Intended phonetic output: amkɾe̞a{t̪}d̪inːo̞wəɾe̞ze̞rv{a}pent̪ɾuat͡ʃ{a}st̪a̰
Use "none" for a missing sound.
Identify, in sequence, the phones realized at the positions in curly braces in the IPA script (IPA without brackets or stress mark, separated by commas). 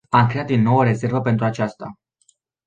t̪, ə, a